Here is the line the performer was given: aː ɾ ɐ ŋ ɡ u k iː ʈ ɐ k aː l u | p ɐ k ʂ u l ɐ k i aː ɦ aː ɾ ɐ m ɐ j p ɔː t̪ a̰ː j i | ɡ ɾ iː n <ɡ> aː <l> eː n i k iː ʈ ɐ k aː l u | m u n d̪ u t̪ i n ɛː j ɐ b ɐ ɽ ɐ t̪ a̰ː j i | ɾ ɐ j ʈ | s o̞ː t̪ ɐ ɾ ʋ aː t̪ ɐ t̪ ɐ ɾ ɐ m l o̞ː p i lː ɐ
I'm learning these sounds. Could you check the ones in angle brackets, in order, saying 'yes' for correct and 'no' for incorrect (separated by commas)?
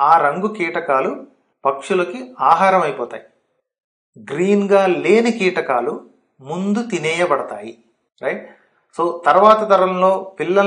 yes, yes